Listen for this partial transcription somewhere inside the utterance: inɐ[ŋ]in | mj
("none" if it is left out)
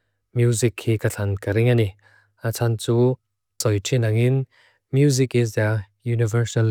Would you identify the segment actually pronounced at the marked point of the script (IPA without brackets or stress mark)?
ŋ